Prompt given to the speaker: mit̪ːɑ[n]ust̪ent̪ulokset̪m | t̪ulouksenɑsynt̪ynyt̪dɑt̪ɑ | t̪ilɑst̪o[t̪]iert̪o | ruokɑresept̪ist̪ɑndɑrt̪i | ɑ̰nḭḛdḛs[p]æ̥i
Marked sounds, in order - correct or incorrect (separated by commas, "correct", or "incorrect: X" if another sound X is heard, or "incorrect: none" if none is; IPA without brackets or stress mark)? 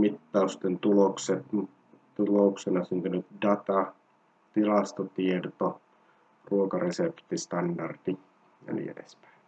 incorrect: none, correct, correct